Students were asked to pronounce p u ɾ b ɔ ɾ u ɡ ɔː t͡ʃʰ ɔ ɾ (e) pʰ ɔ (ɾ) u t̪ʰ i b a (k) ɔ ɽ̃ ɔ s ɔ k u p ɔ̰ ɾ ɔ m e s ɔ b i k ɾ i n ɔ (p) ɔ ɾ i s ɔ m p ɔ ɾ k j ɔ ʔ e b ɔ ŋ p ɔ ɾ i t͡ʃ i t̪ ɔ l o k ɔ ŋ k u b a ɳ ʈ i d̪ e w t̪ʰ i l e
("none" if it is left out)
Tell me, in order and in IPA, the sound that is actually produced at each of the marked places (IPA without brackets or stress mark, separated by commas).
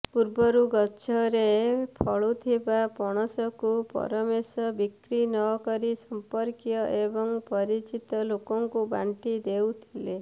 e, ɭ, p, k